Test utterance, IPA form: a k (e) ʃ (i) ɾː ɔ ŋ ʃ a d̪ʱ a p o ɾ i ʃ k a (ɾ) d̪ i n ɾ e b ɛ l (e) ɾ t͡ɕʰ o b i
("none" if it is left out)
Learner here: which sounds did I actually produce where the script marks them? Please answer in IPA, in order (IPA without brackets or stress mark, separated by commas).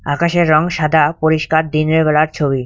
a, e, ɾ, a